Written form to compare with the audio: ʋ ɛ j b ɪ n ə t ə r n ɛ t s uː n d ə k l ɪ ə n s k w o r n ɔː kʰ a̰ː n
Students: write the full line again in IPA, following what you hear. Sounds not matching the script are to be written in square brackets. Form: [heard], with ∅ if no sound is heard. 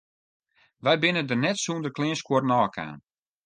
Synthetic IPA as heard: ʋ ɛ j b ɪ n ə [d] ə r n ɛ t s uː n d ə k l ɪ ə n s k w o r n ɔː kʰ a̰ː n